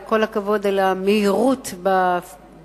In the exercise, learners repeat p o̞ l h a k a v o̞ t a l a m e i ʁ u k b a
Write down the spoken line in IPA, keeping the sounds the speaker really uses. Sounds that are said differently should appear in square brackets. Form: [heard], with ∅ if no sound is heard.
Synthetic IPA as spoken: [k] o̞ l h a k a v o̞ [d] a l a m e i ʁ u [t] b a